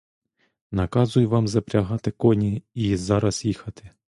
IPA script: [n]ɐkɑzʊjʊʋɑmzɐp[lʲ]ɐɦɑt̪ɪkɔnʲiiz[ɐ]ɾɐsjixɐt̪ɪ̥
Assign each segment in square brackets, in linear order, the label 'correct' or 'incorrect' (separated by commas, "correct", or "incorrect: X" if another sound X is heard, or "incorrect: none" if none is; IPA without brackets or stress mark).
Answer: correct, incorrect: ɾʲ, incorrect: ɑ